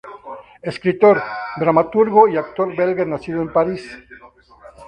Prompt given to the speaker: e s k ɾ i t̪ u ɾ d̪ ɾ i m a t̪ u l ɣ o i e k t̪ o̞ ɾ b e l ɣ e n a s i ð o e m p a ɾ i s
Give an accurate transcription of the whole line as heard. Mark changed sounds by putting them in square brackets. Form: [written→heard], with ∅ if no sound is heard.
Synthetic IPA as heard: e s k ɾ i t̪ [u→o] ɾ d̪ ɾ [i→a] m a t̪ u [l→ɾ] ɣ o i [e→a] k t̪ o̞ ɾ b e l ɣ e n a s i ð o e m p a ɾ i s

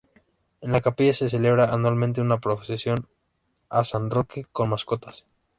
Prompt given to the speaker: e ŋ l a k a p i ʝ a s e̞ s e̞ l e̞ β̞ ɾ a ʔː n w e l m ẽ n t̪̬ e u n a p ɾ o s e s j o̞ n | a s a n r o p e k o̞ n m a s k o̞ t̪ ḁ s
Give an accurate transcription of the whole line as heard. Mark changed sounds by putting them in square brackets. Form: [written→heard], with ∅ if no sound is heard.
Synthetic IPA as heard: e [ŋ→n] l a k a p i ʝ a s e̞ s e̞ l e̞ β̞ ɾ a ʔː n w [e→a] l m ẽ n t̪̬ e u n a p ɾ o s e s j o̞ n | a s a n r o [p→k] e k o̞ n m a s k o̞ t̪ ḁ s

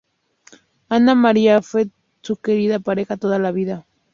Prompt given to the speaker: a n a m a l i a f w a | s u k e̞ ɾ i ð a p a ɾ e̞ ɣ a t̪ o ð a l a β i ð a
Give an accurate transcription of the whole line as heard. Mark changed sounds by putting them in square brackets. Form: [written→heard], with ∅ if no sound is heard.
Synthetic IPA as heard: a n a m a [l→ɾ] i a f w [a→e] | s u k e̞ ɾ i ð a p a ɾ e̞ [ɣ→x] a t̪ o ð a l a β i ð a

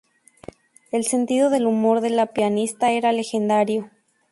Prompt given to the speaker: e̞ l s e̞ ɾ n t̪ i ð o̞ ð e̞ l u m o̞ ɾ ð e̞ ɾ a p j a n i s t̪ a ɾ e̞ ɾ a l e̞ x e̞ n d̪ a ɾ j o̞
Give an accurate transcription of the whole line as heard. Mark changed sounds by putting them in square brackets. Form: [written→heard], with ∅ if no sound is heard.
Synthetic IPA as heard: e̞ l s e̞ [ɾ→∅] n t̪ i ð o̞ ð e̞ l u m o̞ ɾ ð e̞ [ɾ→l] a p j a n i s t̪ a [ɾ→∅] e̞ ɾ a l e̞ x e̞ n d̪ a ɾ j o̞

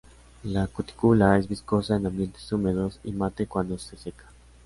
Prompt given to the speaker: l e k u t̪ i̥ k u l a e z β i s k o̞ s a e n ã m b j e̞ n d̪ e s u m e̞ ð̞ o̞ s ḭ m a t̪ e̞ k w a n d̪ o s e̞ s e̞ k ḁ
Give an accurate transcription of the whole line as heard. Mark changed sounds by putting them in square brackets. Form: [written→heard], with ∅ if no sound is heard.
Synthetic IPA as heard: l [e→a] k u t̪ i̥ k u l a e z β i s k o̞ s a e n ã m b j e̞ n [d̪→t̪] e s u m e̞ ð̞ o̞ s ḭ m a t̪ e̞ k w a n d̪ o s e̞ s e̞ k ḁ

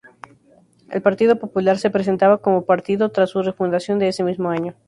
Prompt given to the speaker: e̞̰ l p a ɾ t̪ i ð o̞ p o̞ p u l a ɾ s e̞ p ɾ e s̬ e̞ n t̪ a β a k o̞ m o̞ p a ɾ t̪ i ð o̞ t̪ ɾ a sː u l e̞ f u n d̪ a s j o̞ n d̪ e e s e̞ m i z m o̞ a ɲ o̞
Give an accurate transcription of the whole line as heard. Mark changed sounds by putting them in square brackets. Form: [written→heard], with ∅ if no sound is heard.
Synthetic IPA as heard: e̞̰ l p a ɾ t̪ i ð o̞ p o̞ p u l a ɾ s e̞ p ɾ e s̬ e̞ n t̪ a β a k o̞ m o̞ p a ɾ t̪ i ð o̞ t̪ ɾ a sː u [l→r] e̞ f u n d̪ a s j o̞ n d̪ e e s e̞ m i z m o̞ a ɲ o̞

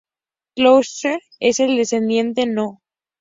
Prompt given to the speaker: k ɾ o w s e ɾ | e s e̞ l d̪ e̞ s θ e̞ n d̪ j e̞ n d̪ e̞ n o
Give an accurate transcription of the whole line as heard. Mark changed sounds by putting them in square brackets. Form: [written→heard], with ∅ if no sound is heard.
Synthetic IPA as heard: k [ɾ→l] o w s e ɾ | e s e̞ l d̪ e̞ s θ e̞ n d̪ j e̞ n [d̪→t̪] e̞ n o

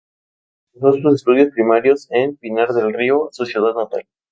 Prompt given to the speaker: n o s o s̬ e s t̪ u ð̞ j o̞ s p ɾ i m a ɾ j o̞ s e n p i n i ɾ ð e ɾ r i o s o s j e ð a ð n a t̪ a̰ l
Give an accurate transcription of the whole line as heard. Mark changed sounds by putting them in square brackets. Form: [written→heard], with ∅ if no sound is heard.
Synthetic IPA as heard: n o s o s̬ e s t̪ u ð̞ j o̞ s p ɾ i m a ɾ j o̞ s e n p i n [i→a] ɾ ð e [ɾ→l] r i o s o s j e ð a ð n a t̪ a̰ l

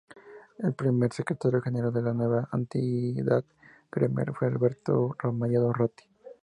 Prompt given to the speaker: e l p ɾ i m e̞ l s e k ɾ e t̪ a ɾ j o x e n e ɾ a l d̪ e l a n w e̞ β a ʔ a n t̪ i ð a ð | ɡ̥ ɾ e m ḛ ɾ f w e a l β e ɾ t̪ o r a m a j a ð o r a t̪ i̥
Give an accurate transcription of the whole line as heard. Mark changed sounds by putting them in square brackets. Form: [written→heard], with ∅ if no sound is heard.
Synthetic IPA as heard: e l p ɾ i m e̞ [l→ɾ] s e k ɾ e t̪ a ɾ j o x e n e ɾ a l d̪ e l a n w e̞ β a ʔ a n t̪ i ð a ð | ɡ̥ ɾ e m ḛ ɾ f w e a l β e ɾ t̪ o r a m a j a ð o r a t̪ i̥

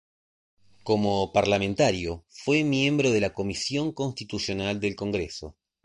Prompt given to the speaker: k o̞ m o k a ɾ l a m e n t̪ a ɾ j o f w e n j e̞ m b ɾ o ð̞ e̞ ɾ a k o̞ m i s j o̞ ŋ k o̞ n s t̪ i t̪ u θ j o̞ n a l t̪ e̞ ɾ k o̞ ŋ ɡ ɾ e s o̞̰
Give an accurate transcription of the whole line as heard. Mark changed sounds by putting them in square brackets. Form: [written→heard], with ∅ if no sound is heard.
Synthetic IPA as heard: k o̞ m o [k→p] a ɾ l a m e n t̪ a ɾ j o f w e [n→m] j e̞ m b ɾ o ð̞ e̞ [ɾ→l] a k o̞ m i s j o̞ ŋ k o̞ n s t̪ i t̪ u [θ→s] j o̞ n a l [t̪→d̪] e̞ [ɾ→l] k o̞ ŋ ɡ ɾ e s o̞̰

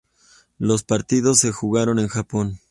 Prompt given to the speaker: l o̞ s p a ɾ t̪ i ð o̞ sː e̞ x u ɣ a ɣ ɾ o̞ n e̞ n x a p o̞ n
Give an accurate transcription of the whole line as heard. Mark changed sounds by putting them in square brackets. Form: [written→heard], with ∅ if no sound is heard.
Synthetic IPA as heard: l o̞ s p a ɾ t̪ i ð o̞ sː e̞ x u ɣ a [ɣ→∅] ɾ o̞ n e̞ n x a p o̞ n

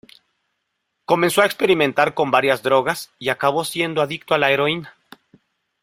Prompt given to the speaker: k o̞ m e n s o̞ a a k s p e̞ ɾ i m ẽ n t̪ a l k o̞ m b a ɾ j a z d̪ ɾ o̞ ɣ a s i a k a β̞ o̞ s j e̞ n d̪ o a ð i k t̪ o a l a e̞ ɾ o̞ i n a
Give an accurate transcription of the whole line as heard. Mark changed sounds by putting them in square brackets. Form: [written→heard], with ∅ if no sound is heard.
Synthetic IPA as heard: k o̞ m e n s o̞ a [a→e] k s p e̞ ɾ i m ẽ n t̪ a [l→ɾ] k o̞ m b a ɾ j a z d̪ ɾ o̞ ɣ a s i a k a β̞ o̞ s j e̞ n d̪ o a ð i k t̪ o a l a e̞ ɾ o̞ i n a

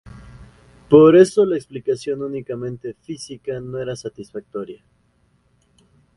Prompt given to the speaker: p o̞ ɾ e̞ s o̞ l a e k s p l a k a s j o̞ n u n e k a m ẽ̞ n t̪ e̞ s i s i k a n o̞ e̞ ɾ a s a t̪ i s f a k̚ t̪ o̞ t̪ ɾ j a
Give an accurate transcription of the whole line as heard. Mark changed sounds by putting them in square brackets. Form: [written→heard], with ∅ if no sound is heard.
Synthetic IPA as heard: p o̞ ɾ e̞ s o̞ l a e k s p l [a→i] k a s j o̞ n u n [e→i] k a m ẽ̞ n t̪ e̞ [s→f] i s i k a n o̞ e̞ ɾ a s a t̪ i s f a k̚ t̪ o̞ [t̪→∅] ɾ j a

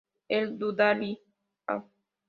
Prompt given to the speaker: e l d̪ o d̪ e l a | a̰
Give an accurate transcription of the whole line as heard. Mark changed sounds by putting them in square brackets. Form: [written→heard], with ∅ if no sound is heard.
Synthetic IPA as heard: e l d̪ [o→u] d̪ [e→a] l [a→i] | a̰

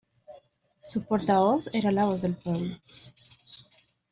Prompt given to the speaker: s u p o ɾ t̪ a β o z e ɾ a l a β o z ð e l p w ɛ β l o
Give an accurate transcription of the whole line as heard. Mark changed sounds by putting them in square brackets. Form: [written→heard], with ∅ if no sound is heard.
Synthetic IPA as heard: s u p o ɾ t̪ a β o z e ɾ a l a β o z ð e l p w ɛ β l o

